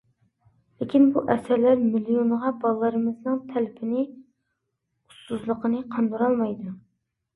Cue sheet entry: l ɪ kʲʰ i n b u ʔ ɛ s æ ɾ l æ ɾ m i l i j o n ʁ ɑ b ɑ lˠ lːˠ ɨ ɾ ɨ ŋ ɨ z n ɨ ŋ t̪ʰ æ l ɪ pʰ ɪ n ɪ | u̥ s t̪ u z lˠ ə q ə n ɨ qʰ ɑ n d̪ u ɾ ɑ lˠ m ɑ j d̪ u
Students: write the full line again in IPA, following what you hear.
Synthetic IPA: l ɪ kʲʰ i n b u ʔ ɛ s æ ɾ l æ ɾ m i l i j o n ʁ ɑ b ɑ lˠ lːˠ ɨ ɾ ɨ m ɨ z n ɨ ŋ t̪ʰ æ l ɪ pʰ ɪ n ɪ | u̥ s t̪ u z lˠ ə q ə n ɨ qʰ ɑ n d̪ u ɾ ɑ lˠ m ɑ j d̪ u